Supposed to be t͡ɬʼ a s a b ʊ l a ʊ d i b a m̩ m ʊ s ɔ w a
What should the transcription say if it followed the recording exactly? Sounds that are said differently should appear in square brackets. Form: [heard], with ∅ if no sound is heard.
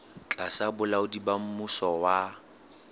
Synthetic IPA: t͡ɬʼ a s a b ʊ l a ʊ d i b a m̩ m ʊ s ɔ w a